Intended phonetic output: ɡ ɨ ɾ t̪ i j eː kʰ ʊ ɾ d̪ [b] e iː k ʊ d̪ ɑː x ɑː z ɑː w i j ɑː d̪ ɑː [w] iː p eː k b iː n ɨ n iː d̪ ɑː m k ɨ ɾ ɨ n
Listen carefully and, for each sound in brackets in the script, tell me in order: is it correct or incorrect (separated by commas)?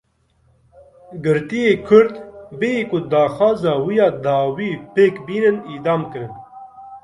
correct, correct